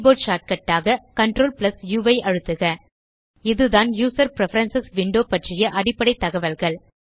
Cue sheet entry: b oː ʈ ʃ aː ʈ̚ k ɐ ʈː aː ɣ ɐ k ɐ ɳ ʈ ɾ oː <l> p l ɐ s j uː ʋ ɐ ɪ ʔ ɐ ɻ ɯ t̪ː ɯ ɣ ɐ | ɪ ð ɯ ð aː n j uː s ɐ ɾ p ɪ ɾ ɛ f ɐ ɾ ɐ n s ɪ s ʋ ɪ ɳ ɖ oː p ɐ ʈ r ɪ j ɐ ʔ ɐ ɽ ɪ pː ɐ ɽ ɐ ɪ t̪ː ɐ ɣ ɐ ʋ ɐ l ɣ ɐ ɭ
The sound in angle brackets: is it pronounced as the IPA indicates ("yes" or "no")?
yes